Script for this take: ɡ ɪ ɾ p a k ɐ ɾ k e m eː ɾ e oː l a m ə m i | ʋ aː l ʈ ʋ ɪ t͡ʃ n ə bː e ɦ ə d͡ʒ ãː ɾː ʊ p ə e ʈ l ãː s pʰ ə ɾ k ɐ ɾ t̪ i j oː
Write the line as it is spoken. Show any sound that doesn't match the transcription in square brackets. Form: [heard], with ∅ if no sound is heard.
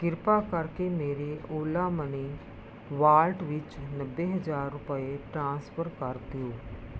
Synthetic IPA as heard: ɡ ɪ ɾ p a k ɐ ɾ k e m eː ɾ e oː l a m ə [n] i | ʋ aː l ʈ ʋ ɪ t͡ʃ n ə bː e ɦ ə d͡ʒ [aː] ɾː ʊ p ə e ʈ [ɾ] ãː s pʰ ə ɾ k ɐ ɾ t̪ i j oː